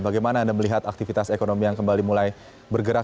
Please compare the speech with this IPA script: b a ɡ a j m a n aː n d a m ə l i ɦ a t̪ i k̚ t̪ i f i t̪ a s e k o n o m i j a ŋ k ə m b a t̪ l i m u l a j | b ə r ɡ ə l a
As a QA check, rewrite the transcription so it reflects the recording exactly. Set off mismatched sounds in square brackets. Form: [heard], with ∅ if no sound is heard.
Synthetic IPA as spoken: b a ɡ a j m a n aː n d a m ə l i ɦ a t̪ [a] k̚ t̪ i f i t̪ a s e k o n o m i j a ŋ k ə m b a [∅] l i m u l a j | b ə r ɡ ə [ɾ] a